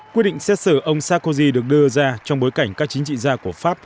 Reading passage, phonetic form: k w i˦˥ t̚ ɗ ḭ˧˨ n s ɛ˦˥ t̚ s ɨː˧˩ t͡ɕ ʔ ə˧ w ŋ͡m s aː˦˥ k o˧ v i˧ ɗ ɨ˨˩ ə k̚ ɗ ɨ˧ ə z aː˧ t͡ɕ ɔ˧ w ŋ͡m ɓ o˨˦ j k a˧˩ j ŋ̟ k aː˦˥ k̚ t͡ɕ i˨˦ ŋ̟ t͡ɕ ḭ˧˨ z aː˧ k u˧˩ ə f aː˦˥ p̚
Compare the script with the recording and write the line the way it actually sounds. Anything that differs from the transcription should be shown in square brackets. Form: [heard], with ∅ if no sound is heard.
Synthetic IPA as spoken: k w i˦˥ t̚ ɗ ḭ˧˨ [ŋ] s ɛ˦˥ t̚ s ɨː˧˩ [∅] ʔ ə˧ w ŋ͡m s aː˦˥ k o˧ [z] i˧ ɗ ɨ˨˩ ə k̚ ɗ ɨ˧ ə z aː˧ t͡ɕ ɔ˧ w ŋ͡m ɓ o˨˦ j k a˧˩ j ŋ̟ k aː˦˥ k̚ t͡ɕ i˨˦ ŋ̟ t͡ɕ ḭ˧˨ z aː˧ k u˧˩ ə f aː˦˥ p̚